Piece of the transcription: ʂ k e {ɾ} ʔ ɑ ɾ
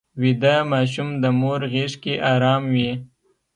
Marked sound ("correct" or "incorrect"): incorrect